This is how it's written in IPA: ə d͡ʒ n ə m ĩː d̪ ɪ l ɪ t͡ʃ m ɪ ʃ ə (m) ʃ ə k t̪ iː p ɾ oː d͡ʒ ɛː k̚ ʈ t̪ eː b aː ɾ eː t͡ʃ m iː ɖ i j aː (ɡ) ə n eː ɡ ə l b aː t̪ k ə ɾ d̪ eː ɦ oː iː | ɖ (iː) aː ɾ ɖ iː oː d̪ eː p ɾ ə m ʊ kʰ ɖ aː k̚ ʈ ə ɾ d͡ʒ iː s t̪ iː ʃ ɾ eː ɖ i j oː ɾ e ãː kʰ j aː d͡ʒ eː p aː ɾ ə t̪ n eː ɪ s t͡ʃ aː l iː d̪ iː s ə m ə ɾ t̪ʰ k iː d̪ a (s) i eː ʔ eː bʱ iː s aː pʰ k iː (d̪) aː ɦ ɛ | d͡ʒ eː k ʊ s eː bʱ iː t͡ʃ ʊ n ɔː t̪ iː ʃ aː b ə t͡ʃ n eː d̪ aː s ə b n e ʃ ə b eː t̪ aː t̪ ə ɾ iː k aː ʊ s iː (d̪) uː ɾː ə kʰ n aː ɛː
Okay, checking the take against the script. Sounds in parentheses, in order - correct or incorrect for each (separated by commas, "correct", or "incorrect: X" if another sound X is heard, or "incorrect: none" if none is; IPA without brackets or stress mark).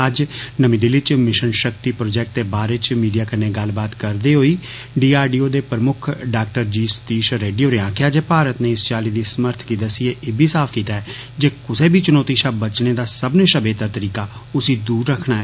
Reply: incorrect: n, incorrect: k, correct, correct, incorrect: t̪, correct